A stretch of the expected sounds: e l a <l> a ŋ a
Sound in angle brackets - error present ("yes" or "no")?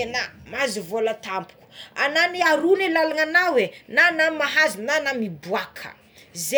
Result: no